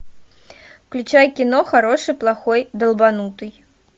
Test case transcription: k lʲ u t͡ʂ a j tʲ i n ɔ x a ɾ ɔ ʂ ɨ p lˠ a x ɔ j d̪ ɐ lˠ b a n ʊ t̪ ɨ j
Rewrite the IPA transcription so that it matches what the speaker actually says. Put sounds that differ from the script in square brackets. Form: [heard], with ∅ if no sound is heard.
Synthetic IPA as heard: k lʲ u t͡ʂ a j [kʲ] i n ɔ x a ɾ ɔ ʂ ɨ p lˠ a x ɔ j d̪ ɐ lˠ b a n [u] t̪ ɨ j